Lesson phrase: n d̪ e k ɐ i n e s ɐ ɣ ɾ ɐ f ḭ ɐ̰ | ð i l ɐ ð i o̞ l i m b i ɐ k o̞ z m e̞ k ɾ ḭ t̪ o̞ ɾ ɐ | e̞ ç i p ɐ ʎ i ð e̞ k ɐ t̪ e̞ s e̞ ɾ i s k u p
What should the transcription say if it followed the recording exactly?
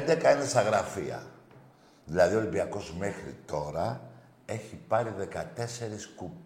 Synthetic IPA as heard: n d̪ e k ɐ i n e s ɐ ɣ ɾ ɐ f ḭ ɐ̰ | ð i l ɐ ð i o̞ l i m b i ɐ k o̞ z m e̞ x ɾ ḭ t̪ o̞ ɾ ɐ | e̞ ç i p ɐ ɾ i ð e̞ k ɐ t̪ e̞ s e̞ ɾ i s k u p